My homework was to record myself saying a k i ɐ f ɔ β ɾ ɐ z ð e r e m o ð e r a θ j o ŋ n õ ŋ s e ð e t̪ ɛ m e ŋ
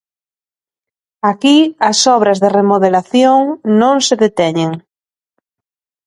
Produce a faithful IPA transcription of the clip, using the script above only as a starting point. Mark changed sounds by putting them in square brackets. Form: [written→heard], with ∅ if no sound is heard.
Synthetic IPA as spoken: a k i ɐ [f→s] ɔ β ɾ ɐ z ð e r e m o ð e [r→l] a θ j o ŋ n õ ŋ s e ð e t̪ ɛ [m→ɲ] e ŋ